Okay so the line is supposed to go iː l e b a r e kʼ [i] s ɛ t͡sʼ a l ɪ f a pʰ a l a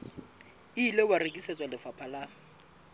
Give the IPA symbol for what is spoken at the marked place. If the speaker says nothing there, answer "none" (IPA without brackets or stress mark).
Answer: i